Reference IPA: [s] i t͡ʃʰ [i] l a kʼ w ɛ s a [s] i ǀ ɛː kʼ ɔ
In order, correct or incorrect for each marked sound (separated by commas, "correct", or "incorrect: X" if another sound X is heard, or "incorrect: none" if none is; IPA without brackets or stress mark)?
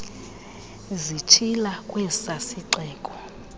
incorrect: z, correct, correct